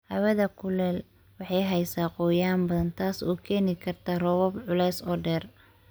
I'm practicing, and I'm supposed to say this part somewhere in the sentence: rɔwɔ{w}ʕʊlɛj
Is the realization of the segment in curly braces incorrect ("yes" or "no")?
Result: yes